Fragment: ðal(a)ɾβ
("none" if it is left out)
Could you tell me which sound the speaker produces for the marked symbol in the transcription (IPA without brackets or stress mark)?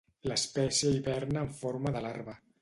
a